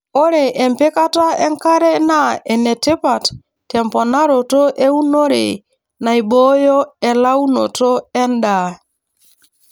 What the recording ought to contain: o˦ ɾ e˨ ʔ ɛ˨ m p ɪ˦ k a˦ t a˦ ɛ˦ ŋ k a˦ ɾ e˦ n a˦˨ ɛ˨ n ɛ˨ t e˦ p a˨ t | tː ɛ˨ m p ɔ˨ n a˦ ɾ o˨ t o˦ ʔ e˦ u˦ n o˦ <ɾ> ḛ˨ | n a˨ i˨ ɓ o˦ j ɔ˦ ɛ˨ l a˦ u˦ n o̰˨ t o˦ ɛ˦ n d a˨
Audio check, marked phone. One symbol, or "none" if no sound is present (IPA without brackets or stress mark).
ɾ